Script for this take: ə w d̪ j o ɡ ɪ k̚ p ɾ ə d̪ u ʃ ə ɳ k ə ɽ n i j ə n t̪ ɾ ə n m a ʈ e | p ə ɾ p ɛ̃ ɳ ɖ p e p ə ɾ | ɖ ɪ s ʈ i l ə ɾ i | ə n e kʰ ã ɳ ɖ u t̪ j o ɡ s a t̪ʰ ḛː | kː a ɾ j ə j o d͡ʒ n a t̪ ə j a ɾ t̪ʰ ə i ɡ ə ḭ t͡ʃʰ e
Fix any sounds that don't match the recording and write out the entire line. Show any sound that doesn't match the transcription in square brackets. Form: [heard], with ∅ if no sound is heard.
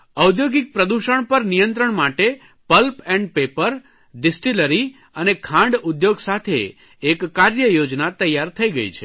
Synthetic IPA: ə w d̪ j o ɡ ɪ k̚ p ɾ ə d̪ u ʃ ə ɳ [p] ə [ɾ] n i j ə n t̪ ɾ ə [ɳ] m a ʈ e | p ə [l] p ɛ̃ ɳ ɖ p e p ə ɾ | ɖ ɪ s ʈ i l ə ɾ i | ə n e kʰ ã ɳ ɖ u [d̪] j o ɡ s a t̪ʰ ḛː | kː a ɾ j ə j o d͡ʒ n a t̪ ə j a ɾ t̪ʰ ə i ɡ ə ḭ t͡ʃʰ e